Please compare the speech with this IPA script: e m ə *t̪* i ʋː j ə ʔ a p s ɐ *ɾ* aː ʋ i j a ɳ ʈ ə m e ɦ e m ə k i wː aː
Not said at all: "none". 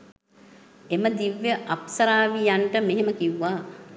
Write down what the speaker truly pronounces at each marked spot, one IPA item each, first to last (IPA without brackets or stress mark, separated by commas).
d̪, ɾ